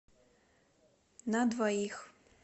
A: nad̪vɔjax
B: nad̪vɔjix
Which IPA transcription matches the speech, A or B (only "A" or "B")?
B